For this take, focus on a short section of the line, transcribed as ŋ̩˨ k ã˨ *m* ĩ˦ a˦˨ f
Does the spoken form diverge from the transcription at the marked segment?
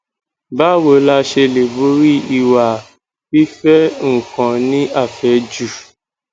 yes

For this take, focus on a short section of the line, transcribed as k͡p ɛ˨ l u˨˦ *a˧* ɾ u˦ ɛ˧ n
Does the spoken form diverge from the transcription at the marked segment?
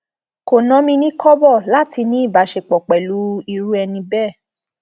yes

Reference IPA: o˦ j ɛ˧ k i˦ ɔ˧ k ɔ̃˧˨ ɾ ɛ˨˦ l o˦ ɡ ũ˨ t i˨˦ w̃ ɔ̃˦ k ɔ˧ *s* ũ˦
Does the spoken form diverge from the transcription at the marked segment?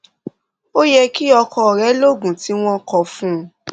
yes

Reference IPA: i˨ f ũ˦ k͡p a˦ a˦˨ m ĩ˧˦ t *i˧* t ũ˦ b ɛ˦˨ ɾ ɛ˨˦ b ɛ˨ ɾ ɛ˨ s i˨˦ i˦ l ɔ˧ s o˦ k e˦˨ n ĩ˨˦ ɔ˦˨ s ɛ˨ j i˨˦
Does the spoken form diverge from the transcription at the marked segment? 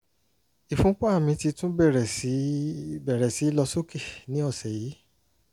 no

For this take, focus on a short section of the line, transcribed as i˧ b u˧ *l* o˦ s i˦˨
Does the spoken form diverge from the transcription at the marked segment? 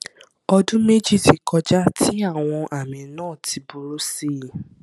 yes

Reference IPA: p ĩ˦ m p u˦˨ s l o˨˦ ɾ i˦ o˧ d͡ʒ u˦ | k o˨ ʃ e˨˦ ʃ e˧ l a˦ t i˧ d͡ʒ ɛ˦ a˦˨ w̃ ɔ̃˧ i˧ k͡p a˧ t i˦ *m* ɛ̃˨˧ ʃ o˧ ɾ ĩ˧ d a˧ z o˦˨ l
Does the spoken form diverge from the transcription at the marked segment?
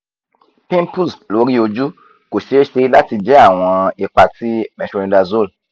no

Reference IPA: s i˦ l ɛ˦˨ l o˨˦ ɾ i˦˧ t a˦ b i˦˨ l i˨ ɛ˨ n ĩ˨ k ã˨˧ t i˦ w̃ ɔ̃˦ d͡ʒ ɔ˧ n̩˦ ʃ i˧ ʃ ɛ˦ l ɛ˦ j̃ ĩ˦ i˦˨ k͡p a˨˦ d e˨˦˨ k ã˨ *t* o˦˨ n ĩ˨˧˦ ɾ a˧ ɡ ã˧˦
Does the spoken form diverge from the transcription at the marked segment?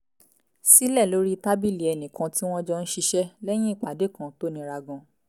no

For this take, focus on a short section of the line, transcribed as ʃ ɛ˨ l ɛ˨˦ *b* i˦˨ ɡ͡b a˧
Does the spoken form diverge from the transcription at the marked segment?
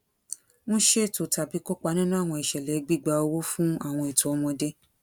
yes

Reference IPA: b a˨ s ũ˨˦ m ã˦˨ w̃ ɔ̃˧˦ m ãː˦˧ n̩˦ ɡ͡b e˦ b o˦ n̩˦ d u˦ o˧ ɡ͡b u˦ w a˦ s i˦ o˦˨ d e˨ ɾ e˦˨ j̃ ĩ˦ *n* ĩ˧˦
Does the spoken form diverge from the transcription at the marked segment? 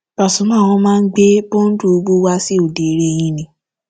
no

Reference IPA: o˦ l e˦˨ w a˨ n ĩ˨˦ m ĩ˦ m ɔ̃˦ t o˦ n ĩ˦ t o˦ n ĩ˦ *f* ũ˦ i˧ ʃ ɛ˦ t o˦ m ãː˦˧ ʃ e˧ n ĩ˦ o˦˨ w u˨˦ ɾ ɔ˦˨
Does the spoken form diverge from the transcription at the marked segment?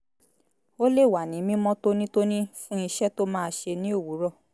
no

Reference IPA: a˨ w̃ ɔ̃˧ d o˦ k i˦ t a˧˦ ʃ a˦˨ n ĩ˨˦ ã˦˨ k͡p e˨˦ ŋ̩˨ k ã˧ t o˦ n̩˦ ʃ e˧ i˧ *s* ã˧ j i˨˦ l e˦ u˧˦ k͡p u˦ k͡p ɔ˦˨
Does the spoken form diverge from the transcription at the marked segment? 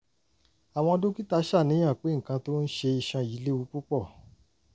yes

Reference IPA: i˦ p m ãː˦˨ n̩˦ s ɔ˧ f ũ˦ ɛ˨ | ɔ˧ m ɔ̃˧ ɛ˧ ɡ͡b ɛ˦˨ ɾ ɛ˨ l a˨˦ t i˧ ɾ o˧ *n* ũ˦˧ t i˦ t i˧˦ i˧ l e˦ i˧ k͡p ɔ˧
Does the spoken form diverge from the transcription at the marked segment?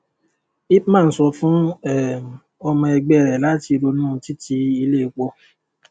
no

